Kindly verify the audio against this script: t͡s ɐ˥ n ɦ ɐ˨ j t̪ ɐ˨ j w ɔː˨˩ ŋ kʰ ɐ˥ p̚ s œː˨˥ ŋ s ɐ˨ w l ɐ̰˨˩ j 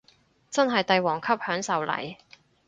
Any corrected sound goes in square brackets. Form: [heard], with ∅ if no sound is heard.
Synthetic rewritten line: t͡s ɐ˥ n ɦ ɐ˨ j t̪ ɐ˨ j w ɔː˨˩ ŋ kʰ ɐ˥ p̚ [h] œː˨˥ ŋ s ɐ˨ w l ɐ̰˨˩ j